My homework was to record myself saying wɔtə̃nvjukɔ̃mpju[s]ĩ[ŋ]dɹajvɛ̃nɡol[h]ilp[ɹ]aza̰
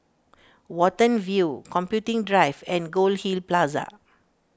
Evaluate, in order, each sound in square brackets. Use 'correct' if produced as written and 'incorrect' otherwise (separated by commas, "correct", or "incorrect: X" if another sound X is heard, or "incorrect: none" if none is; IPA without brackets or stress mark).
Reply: incorrect: t, correct, correct, incorrect: l